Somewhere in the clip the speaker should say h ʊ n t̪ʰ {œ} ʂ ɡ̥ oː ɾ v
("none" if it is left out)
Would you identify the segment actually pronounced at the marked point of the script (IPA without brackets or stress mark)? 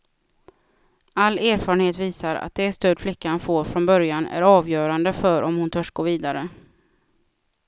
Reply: œ